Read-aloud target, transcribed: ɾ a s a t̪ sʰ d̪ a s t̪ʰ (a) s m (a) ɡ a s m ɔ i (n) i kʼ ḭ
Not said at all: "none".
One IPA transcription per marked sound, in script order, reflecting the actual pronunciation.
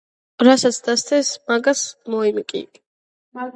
ɛ, a, m

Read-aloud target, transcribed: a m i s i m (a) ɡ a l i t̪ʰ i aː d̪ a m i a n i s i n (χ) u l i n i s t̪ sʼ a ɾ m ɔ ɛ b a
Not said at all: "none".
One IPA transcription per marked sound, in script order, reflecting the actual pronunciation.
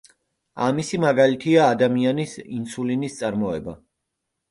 a, s

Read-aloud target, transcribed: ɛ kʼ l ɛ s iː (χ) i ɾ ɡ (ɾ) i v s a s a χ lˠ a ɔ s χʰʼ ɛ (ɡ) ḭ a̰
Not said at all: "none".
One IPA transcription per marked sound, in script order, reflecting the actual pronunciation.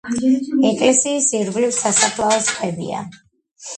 s, l, b

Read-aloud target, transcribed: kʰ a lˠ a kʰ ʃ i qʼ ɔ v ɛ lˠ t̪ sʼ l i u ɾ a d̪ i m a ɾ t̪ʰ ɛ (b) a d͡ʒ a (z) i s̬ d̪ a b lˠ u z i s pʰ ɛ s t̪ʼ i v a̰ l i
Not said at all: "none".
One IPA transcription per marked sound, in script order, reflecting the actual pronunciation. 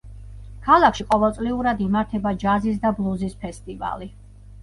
b, z

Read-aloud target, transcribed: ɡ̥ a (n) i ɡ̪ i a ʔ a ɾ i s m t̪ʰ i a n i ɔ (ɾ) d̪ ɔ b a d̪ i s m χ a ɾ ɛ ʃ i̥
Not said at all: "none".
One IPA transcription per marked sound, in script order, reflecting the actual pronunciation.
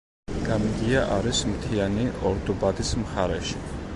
m, ɾ

